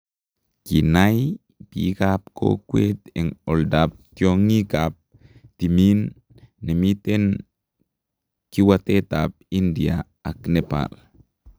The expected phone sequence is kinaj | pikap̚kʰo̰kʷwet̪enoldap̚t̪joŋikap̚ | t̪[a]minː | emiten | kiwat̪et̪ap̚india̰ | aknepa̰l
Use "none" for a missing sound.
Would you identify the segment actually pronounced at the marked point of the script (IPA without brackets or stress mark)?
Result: i